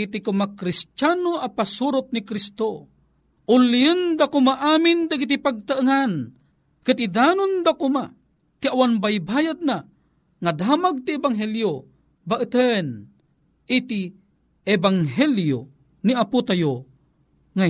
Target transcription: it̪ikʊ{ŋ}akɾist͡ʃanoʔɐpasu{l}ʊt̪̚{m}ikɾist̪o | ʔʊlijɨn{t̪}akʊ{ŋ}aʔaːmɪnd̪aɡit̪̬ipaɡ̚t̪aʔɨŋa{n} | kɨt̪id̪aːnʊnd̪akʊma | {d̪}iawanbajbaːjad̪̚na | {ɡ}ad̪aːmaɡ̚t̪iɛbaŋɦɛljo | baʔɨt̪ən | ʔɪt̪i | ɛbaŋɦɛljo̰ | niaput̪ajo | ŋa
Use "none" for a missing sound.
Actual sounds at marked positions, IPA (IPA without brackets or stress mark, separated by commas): m, ɾ, n, d̪, m, n, t̪, ŋ